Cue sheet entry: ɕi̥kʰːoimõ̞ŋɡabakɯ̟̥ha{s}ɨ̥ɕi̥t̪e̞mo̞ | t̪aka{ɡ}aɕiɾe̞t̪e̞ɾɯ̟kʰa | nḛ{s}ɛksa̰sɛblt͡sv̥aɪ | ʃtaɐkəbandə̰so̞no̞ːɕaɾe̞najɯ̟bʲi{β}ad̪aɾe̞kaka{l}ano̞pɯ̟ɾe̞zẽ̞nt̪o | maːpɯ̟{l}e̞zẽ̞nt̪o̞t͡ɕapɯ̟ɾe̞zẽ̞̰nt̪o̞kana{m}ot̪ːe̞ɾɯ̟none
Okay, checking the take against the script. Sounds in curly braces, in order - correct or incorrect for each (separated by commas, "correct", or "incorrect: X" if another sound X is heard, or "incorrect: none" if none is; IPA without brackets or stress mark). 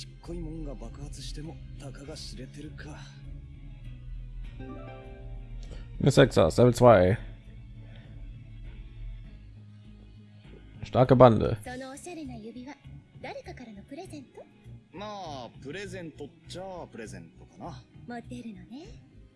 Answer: incorrect: t͡s, correct, correct, correct, incorrect: ɾ, incorrect: ɾ, correct